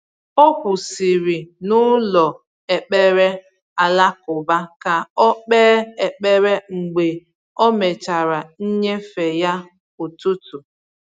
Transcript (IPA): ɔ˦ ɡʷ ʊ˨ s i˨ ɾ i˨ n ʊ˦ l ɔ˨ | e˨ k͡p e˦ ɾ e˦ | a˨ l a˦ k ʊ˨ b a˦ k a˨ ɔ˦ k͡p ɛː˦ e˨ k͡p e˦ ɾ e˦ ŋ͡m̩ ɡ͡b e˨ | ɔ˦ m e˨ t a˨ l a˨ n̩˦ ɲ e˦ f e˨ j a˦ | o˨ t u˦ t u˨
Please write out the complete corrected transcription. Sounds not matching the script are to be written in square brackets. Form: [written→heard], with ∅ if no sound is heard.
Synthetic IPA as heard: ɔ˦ [ɡʷ→kʷ] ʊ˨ s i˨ ɾ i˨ n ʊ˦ l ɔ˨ | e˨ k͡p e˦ ɾ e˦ | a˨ l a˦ k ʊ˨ b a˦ k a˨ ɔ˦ k͡p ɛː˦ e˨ k͡p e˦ ɾ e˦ ŋ͡m̩ ɡ͡b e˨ | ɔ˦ m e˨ [t→t͡ʃ] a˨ [l→ɾ] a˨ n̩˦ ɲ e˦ f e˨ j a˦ | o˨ t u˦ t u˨